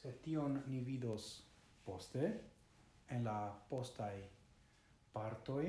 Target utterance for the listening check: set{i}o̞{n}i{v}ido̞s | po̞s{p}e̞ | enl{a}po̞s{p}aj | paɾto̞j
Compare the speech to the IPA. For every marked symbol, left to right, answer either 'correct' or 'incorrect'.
correct, incorrect, correct, incorrect, correct, incorrect

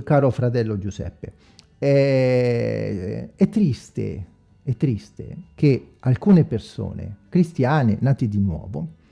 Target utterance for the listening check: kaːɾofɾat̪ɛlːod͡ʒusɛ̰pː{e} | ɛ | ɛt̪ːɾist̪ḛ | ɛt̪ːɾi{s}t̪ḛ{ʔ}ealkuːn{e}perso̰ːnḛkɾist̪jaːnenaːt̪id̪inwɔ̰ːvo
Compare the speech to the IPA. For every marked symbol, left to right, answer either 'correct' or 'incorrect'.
correct, correct, incorrect, correct

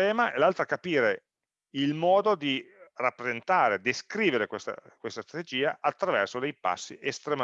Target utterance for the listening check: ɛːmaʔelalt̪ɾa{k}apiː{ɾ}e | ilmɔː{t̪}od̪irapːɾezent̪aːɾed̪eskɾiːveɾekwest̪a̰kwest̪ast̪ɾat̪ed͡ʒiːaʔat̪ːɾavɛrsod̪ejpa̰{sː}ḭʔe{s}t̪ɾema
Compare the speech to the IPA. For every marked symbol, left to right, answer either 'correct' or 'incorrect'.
correct, correct, incorrect, correct, correct

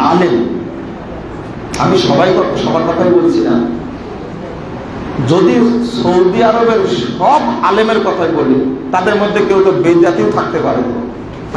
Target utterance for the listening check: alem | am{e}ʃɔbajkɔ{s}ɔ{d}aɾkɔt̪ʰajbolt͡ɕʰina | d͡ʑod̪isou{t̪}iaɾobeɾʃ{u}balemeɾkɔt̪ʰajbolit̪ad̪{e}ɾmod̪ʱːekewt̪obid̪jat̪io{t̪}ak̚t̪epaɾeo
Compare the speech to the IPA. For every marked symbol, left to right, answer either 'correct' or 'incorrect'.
incorrect, incorrect, incorrect, incorrect, incorrect, correct, incorrect

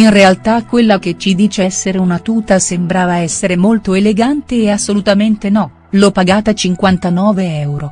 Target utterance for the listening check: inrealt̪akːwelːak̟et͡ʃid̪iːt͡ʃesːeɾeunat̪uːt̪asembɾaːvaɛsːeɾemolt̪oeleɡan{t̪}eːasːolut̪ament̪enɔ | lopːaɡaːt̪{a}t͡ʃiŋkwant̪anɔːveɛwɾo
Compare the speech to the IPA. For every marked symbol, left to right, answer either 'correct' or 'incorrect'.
correct, correct

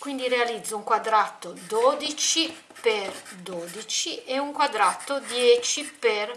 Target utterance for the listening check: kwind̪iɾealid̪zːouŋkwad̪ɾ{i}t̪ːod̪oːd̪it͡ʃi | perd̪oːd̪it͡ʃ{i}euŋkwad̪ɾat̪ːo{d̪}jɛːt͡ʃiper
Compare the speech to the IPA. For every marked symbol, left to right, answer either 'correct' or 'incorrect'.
incorrect, correct, correct

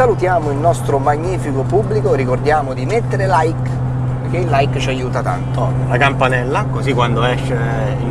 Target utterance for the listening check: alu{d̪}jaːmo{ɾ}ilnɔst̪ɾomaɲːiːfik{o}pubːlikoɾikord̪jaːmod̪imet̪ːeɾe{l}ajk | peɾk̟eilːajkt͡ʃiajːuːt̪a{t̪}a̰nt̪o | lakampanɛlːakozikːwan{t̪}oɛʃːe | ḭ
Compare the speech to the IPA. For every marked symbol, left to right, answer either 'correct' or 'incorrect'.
incorrect, incorrect, correct, correct, correct, incorrect

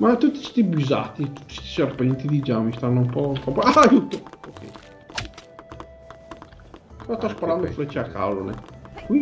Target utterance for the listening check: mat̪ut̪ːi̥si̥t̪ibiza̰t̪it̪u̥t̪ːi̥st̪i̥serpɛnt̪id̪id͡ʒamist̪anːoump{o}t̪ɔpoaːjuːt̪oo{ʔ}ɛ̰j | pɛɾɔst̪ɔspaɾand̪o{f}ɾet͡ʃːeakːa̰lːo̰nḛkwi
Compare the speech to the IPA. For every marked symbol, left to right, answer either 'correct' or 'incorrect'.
incorrect, incorrect, correct

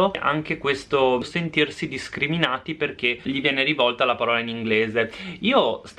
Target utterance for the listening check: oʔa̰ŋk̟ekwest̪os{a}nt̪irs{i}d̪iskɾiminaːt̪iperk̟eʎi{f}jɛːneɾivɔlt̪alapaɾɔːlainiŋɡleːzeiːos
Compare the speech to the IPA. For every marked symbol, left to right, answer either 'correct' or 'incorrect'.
incorrect, correct, incorrect

